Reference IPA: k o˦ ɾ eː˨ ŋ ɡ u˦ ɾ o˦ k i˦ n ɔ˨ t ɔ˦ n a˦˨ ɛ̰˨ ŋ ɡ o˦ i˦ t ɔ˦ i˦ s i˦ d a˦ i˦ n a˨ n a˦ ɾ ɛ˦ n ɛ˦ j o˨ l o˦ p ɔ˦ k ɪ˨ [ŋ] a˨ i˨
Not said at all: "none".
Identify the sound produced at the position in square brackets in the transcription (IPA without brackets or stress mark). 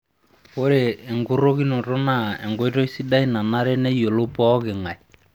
ŋ